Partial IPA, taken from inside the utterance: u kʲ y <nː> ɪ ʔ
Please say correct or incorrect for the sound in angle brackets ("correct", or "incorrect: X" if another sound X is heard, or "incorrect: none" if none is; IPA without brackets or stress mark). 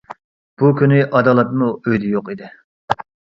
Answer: incorrect: n